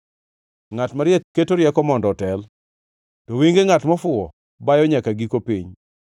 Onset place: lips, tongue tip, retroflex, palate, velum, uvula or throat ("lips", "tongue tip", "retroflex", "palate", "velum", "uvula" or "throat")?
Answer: velum